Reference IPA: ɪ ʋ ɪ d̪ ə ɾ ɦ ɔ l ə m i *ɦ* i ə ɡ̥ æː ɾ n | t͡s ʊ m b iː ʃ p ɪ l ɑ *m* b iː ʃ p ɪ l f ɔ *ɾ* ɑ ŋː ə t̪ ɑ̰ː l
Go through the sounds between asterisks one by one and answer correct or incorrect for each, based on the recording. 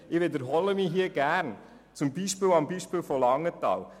correct, correct, incorrect: l

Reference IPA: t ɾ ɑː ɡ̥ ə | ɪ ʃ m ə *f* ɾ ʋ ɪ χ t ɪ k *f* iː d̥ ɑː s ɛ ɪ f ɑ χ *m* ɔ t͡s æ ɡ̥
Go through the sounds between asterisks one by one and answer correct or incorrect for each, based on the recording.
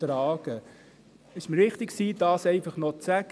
incorrect: none, incorrect: s, incorrect: n

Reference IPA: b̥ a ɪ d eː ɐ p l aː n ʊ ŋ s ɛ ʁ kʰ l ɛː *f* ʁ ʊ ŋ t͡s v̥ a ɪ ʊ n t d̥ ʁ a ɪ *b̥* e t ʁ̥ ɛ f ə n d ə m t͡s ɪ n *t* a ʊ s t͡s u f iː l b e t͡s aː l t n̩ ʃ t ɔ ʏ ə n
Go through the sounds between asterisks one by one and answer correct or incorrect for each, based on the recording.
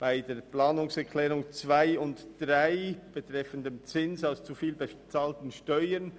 incorrect: none, correct, incorrect: s

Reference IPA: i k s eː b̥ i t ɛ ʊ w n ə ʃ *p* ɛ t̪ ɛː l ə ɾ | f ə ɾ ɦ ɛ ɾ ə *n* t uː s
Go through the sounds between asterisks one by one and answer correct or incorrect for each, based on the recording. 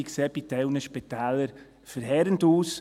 correct, correct

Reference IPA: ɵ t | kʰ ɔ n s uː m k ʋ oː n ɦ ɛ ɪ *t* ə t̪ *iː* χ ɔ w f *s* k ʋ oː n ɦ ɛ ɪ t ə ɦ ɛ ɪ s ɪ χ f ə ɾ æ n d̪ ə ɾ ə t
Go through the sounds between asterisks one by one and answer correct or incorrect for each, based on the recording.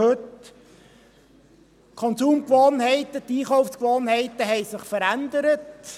correct, correct, correct

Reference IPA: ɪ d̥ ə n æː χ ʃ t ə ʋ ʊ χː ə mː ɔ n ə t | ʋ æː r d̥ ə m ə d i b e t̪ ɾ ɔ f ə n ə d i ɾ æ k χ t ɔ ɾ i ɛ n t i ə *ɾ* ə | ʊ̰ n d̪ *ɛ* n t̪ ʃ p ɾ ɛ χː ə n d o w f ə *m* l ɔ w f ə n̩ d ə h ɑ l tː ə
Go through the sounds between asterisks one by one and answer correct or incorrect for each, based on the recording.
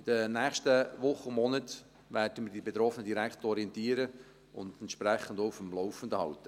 correct, correct, correct

